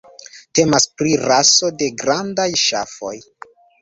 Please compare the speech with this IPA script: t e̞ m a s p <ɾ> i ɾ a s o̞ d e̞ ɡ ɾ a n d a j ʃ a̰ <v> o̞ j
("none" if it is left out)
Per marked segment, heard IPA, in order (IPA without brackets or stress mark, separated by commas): ɾ, f